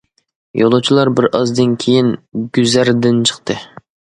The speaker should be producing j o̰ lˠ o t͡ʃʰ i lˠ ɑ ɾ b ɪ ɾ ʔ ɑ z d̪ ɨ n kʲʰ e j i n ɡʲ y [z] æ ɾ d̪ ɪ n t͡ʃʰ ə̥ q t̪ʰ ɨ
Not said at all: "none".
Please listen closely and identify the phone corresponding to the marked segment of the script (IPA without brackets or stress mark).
z